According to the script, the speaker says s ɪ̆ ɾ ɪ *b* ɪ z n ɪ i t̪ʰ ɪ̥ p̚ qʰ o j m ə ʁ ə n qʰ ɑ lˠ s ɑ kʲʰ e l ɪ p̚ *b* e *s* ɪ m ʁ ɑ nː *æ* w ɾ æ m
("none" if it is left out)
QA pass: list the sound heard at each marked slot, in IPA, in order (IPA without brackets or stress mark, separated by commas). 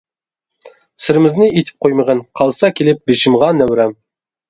m, b, ʃ, æ